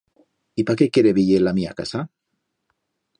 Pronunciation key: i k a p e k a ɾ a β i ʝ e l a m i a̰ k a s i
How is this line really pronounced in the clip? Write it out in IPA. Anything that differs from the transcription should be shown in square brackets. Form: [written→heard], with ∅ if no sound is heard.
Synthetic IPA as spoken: i [k→p] a [p→k] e k [a→e] ɾ [a→e] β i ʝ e l a m i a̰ k a s [i→a]